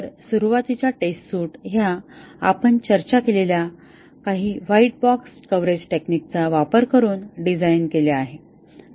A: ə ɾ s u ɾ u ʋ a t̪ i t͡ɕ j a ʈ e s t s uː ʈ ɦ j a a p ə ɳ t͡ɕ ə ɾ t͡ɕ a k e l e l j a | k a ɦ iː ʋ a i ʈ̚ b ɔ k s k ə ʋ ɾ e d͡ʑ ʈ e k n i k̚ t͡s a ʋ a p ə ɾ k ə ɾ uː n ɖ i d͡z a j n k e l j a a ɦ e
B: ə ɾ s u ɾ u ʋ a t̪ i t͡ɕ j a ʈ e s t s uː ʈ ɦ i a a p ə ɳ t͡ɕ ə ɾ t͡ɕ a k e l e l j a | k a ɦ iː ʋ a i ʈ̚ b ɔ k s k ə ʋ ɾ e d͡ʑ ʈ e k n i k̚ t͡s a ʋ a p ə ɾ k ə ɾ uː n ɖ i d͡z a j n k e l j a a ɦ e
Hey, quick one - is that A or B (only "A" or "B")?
A